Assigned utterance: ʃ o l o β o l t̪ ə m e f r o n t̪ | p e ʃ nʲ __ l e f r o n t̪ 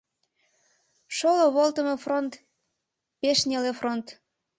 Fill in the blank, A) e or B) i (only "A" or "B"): A